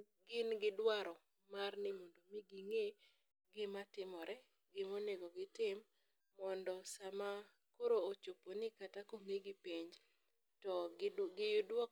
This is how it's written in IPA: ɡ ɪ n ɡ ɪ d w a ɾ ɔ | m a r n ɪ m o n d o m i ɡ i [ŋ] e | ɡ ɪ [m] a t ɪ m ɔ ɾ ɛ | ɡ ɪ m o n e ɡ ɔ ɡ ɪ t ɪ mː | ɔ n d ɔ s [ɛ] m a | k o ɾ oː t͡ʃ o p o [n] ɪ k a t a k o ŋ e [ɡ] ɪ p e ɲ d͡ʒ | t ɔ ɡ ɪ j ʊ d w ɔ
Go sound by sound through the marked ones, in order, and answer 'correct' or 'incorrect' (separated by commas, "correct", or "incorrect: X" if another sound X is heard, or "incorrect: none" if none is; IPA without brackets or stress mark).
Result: correct, correct, incorrect: a, correct, correct